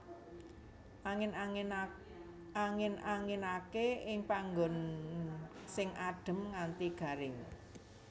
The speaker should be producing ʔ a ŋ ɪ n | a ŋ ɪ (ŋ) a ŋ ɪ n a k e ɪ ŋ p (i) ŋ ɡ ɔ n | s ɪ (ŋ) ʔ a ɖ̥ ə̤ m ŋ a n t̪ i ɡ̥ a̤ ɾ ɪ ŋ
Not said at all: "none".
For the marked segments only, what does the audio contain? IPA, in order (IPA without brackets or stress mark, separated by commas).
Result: n, a, ŋ